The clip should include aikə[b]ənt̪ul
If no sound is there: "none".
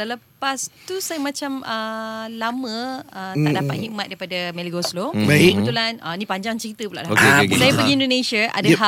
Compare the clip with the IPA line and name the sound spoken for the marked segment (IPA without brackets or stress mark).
b